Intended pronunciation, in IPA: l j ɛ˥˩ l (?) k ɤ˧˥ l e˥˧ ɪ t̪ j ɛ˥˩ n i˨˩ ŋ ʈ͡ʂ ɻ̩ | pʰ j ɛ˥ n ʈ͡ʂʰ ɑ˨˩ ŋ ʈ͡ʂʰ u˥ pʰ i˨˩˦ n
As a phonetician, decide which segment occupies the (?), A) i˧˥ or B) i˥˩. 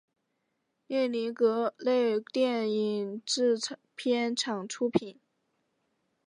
A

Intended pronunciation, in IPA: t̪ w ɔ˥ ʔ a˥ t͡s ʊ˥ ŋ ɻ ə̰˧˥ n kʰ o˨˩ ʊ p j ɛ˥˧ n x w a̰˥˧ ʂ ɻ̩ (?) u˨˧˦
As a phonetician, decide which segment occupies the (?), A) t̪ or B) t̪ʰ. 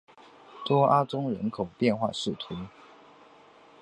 B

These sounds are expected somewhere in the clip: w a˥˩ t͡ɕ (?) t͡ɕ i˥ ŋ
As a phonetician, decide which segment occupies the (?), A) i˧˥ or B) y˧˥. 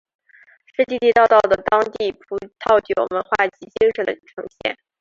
A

